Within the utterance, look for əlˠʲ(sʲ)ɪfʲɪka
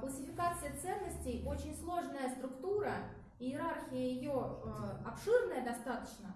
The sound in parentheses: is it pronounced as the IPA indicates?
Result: yes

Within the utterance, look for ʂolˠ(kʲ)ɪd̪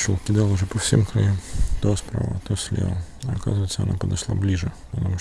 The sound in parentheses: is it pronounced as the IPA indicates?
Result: yes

